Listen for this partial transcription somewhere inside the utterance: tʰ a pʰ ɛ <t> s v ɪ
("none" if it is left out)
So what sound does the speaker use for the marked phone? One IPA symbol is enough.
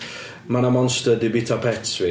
t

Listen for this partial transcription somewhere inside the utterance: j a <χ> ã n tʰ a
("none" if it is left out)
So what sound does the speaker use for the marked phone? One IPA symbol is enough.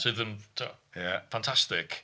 f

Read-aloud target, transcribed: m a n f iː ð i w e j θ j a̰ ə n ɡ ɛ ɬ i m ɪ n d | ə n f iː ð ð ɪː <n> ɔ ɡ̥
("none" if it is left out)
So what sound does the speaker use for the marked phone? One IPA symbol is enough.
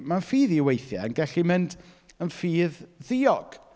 none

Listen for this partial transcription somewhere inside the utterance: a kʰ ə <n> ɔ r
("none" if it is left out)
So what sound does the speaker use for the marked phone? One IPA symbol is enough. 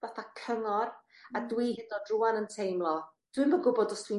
ŋ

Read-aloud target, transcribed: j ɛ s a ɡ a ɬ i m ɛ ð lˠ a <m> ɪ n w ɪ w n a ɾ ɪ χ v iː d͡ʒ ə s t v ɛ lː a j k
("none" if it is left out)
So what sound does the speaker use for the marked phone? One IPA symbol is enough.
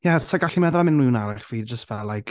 m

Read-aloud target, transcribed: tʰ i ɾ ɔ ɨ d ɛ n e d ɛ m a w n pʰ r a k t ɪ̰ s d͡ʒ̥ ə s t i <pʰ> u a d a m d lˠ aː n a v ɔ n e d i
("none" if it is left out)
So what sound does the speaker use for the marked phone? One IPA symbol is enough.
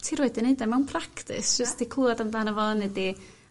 kʰ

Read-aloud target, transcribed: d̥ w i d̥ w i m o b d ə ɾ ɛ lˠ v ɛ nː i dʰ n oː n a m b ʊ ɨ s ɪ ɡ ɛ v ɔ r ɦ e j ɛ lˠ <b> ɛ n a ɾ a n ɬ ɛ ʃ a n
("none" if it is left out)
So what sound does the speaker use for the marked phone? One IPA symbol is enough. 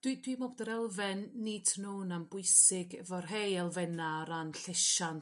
v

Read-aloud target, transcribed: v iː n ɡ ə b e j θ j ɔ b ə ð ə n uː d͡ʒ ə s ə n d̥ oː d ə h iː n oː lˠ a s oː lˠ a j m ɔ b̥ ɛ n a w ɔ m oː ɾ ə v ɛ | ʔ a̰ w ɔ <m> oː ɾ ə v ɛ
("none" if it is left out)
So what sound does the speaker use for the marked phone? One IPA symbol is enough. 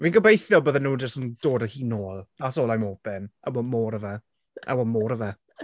m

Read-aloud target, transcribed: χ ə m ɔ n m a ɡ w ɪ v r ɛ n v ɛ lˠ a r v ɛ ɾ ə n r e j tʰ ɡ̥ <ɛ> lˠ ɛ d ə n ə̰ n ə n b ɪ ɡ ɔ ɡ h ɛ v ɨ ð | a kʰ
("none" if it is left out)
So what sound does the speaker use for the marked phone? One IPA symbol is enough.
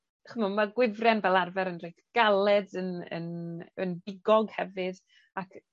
a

